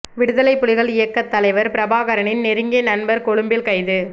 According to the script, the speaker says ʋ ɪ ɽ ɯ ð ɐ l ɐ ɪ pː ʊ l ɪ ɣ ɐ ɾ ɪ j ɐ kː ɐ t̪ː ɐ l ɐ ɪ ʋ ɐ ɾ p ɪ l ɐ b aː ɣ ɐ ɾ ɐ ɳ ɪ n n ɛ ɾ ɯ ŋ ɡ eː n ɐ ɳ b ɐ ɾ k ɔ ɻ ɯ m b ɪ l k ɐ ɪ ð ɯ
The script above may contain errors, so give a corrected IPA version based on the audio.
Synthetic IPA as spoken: ʋ ɪ ɽ ɯ ð ɐ l ɐ ɪ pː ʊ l ɪ ɣ ɐ ɭ ɪ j ɐ kː ɐ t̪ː ɐ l ɐ ɪ ʋ ɐ ɾ p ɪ ɾ ɐ b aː ɣ ɐ ɾ ɐ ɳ ɪ n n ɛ ɾ ɯ ŋ ɡ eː n ɐ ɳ b ɐ ɾ k ɔ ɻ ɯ m b ɪ l k ɐ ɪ ð ɯ